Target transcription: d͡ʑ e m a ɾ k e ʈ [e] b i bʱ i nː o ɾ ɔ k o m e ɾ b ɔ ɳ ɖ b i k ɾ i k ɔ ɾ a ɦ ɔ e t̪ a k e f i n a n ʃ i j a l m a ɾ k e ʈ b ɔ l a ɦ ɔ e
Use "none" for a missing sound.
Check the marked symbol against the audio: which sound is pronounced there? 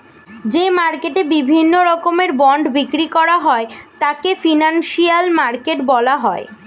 e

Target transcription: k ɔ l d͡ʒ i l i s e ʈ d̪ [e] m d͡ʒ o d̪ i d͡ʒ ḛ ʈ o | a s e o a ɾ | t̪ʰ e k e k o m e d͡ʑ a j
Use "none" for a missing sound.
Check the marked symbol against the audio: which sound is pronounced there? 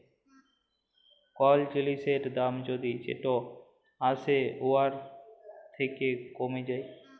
a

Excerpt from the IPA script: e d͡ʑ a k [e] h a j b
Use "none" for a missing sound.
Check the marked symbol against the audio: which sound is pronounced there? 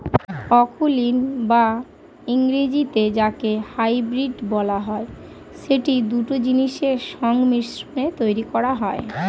e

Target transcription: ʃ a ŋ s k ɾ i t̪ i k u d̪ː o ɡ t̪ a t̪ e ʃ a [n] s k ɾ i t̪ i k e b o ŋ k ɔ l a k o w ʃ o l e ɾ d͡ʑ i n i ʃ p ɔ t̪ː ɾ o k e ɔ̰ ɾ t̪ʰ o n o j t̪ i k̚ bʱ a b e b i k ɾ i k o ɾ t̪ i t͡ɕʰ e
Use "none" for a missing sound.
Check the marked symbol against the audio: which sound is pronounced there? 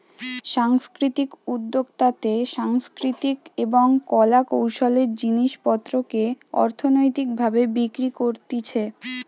ŋ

